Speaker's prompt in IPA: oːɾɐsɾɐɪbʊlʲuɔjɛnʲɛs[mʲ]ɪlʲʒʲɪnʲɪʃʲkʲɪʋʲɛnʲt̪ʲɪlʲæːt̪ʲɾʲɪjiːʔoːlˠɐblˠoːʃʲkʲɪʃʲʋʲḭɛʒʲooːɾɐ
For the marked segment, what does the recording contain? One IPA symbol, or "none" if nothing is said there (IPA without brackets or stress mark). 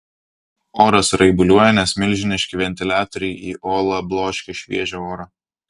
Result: mʲ